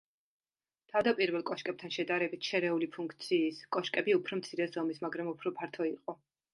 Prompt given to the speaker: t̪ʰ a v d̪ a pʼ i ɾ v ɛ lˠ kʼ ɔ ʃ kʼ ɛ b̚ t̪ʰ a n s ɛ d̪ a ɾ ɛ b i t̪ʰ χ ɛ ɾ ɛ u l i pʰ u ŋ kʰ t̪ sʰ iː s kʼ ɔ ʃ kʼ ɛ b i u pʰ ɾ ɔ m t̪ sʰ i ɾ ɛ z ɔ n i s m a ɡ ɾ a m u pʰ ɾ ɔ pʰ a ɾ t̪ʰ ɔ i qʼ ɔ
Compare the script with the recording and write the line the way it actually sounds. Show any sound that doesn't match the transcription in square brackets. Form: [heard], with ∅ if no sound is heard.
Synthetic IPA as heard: t̪ʰ a v d̪ a pʼ i ɾ v ɛ lˠ kʼ ɔ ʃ kʼ ɛ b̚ t̪ʰ a n [ʃ] ɛ d̪ a ɾ ɛ b i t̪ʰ [ʃ] ɛ ɾ ɛ u l i pʰ u ŋ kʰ t̪ sʰ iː s kʼ ɔ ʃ kʼ ɛ b i u pʰ ɾ ɔ m t̪ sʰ i ɾ ɛ z ɔ [m] i s m a ɡ ɾ a m u pʰ ɾ ɔ pʰ a ɾ t̪ʰ ɔ i qʼ ɔ